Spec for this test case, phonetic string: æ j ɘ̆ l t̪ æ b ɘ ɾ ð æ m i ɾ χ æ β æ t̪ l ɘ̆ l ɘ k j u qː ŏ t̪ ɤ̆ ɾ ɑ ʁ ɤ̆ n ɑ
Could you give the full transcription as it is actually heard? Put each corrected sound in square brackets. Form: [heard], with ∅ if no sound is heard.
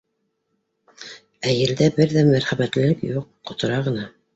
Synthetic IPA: æ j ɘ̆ l [d̪] æ b ɘ ɾ ð æ m [æ] ɾ χ æ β æ t̪ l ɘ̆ l ɘ k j u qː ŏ t̪ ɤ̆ ɾ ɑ ʁ ɤ̆ n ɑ